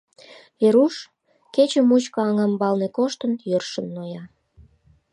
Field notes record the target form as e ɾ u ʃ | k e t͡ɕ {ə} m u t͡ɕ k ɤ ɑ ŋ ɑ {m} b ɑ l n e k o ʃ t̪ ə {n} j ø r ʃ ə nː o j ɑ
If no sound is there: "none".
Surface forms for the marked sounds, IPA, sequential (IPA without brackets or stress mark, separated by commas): ə, m, n